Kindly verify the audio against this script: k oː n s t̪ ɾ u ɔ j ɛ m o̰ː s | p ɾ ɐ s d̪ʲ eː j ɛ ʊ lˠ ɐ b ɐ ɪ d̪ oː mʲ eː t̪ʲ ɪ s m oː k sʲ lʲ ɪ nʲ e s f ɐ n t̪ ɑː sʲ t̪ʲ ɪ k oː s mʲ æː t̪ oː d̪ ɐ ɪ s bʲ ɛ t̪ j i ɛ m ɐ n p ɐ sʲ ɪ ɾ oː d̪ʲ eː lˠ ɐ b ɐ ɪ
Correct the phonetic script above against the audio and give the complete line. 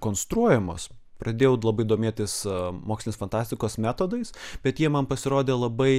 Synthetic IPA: k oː n s t̪ ɾ u ɔ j ɛ m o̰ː s | p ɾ ɐ d̪ʲ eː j ɛ ʊ lˠ ɐ b ɐ ɪ d̪ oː mʲ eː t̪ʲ ɪ s m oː k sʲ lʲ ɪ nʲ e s f ɐ n t̪ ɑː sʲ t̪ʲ ɪ k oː s mʲ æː t̪ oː d̪ ɐ ɪ s bʲ ɛ t̪ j i ɛ m ɐ n p ɐ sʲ ɪ ɾ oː d̪ʲ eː lˠ ɐ b ɐ ɪ